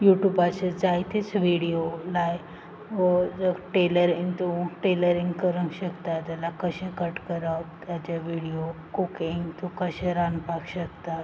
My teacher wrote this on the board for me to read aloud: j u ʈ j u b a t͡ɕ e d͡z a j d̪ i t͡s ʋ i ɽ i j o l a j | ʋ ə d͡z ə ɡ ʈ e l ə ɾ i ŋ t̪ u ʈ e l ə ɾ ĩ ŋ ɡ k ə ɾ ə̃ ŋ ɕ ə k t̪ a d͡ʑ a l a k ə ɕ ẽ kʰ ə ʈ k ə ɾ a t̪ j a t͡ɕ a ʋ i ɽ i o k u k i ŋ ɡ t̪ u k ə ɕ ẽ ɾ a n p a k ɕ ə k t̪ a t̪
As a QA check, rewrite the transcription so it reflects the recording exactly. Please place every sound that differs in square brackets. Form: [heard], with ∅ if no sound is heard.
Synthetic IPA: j u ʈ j u b a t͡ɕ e d͡z a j [t̪] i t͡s ʋ i ɽ i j o l a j | ʋ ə d͡z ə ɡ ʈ e l ə ɾ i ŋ t̪ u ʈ e l ə ɾ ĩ ŋ ɡ k ə ɾ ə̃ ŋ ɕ ə k t̪ a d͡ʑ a l a k ə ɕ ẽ [k] ə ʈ k ə ɾ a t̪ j a t͡ɕ a ʋ i ɽ i o k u k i ŋ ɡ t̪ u k ə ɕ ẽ ɾ a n p a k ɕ ə k t̪ a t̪